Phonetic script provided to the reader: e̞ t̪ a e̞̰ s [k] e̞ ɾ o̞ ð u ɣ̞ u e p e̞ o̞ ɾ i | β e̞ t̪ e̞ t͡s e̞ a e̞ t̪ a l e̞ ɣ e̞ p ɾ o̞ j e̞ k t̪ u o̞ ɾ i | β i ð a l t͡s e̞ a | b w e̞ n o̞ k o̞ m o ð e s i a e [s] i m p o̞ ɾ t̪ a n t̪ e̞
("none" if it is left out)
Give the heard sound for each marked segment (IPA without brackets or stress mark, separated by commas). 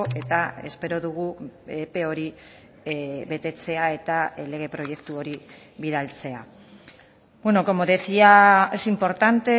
p, s